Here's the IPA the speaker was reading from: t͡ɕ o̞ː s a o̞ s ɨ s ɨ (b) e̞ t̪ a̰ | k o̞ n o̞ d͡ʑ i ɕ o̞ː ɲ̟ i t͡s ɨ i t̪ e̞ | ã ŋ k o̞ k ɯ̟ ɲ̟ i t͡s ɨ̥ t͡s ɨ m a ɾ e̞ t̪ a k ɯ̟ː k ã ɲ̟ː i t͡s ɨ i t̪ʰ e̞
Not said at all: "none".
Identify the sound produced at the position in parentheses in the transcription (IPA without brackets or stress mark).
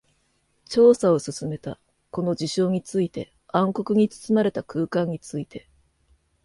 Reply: m